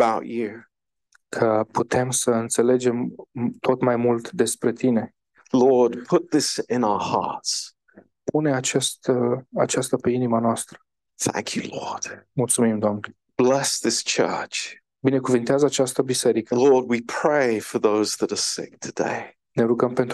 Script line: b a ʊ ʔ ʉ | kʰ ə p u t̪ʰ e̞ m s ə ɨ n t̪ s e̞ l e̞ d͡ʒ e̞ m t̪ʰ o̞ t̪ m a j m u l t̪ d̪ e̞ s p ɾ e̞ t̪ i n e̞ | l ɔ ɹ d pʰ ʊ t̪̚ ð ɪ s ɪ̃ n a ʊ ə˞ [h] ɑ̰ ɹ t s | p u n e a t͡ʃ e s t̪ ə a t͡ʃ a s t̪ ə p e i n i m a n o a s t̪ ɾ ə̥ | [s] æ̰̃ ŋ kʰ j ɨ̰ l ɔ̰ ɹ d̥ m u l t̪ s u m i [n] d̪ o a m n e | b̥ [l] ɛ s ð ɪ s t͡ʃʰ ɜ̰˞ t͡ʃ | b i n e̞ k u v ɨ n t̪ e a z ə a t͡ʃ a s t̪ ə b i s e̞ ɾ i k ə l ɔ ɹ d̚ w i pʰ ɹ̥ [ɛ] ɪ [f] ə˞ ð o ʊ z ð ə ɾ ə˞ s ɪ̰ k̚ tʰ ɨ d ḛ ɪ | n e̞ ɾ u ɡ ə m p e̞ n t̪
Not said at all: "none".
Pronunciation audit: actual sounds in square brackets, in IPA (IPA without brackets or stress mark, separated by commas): h, θ, m, l, e, f